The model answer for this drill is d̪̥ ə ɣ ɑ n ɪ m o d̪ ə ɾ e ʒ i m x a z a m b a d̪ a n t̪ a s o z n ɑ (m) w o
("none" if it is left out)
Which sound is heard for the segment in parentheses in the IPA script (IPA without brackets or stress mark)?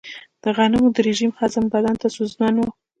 n